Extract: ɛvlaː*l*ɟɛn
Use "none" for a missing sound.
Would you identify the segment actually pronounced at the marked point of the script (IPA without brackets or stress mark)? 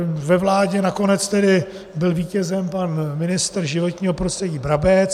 none